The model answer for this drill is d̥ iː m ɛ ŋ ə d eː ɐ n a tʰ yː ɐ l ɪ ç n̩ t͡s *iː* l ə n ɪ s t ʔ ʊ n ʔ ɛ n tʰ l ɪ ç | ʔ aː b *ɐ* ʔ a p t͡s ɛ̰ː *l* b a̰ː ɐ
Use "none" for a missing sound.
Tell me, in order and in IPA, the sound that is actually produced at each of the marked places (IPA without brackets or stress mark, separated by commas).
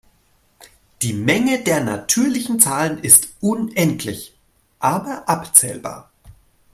aː, ɐ, l